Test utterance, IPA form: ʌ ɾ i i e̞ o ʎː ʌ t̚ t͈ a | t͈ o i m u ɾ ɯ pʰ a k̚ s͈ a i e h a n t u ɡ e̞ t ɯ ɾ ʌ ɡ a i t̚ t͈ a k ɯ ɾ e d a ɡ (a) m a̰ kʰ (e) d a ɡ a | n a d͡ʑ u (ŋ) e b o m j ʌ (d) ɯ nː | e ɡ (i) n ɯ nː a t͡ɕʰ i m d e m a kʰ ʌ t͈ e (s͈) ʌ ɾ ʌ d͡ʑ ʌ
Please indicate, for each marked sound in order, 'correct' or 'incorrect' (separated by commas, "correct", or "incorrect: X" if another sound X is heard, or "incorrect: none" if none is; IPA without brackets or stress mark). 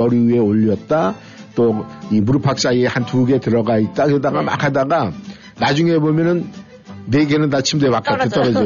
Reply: correct, incorrect: a, correct, incorrect: n, incorrect: e, incorrect: t͈